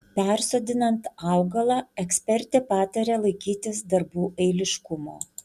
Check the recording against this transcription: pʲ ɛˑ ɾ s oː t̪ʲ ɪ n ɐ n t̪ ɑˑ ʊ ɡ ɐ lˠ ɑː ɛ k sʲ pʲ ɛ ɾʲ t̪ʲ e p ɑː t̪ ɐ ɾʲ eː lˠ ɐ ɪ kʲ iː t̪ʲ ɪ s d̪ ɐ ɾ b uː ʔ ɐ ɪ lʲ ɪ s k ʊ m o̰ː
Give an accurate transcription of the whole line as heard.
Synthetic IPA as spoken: pʲ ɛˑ ɾ s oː d̪ʲ ɪ n ɐ n t̪ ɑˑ ʊ ɡ ɐ lˠ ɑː ɛ k sʲ pʲ ɛ ɾʲ t̪ʲ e p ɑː t̪ ɐ ɾʲ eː lˠ ɐ ɪ kʲ iː t̪ʲ ɪ s d̪ ɐ ɾ b uː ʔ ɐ ɪ lʲ ɪ ʃ k ʊ m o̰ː